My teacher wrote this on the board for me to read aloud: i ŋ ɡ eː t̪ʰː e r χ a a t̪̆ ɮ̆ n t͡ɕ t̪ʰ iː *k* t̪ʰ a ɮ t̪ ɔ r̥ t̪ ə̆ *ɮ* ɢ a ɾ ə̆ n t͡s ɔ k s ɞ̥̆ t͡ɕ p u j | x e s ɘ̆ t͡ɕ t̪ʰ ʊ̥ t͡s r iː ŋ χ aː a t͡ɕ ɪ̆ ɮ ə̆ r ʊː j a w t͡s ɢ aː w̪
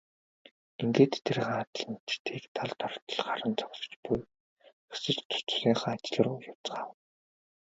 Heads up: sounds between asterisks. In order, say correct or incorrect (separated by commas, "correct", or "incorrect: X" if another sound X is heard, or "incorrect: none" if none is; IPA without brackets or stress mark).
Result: correct, correct